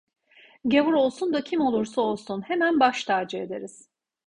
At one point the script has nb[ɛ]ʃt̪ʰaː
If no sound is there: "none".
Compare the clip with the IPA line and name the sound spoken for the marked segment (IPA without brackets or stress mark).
a